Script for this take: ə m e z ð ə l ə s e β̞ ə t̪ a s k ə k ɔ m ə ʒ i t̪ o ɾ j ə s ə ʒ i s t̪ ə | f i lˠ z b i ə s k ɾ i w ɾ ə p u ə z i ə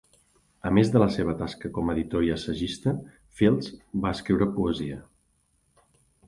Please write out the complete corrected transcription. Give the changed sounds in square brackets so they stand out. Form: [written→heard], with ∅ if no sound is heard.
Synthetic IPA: ə m e z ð ə l ə s e β̞ ə t̪ a s k ə k ɔ m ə [ʒ→ð] i t̪ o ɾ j ə s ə ʒ i s t̪ ə | f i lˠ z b [i→a] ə s k ɾ i w ɾ ə p u ə z i ə